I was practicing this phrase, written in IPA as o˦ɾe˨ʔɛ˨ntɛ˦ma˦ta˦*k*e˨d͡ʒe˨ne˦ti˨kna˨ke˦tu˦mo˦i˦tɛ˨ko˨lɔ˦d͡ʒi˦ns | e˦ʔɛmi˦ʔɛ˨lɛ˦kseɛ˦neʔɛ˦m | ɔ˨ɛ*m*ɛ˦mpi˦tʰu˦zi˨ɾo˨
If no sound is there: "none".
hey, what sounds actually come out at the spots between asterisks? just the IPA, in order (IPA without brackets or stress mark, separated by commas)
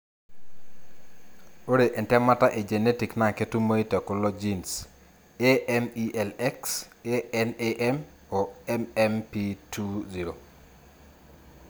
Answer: ʔ, m